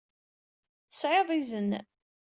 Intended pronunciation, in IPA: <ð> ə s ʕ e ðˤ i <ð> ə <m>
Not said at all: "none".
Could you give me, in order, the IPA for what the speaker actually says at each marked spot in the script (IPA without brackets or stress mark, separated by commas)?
θ, z, n